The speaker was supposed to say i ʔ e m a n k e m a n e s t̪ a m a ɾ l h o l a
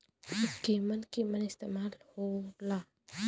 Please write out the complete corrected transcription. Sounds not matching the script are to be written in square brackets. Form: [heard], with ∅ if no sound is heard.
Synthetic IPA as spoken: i [k] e m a n k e m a n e s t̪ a m a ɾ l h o l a